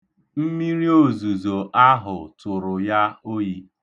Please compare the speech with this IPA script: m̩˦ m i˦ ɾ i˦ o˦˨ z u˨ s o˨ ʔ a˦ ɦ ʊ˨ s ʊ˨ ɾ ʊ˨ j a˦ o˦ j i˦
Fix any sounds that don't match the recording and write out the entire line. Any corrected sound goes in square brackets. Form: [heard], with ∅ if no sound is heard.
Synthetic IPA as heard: m̩˦ m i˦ ɾ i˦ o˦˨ z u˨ [z] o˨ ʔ a˦ ɦ ʊ˨ [t] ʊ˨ ɾ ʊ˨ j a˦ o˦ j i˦